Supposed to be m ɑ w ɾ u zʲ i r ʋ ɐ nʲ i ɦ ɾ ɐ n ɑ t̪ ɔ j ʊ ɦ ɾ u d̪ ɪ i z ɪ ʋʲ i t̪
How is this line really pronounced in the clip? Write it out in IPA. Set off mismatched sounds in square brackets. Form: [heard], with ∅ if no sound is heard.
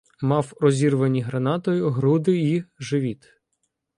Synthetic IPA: m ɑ w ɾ [ɔ] zʲ i r ʋ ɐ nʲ i ɦ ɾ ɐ n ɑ t̪ ɔ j ʊ ɦ ɾ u d̪ ɪ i [ʒ] ɪ ʋʲ i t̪